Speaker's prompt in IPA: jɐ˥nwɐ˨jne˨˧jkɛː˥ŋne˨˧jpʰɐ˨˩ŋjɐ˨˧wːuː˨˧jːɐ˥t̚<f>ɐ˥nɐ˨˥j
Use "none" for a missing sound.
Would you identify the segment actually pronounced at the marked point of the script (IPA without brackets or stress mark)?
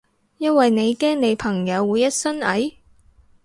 s